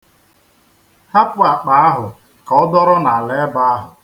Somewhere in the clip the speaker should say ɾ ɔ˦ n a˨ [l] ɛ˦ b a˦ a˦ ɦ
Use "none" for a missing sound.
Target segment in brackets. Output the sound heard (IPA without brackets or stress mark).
l